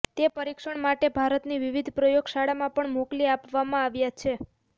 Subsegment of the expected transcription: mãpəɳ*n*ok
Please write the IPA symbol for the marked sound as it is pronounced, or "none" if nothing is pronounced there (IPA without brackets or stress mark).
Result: m